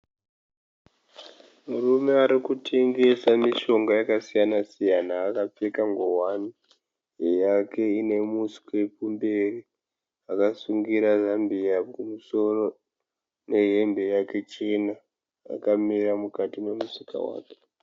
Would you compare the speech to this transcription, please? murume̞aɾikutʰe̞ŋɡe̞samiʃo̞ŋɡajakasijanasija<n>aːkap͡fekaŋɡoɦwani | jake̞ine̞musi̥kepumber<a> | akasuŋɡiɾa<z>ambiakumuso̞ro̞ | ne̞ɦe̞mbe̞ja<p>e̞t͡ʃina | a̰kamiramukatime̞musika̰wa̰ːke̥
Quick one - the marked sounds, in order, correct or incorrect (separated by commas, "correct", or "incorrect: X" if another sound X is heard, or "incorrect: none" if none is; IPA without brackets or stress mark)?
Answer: correct, incorrect: i, correct, incorrect: k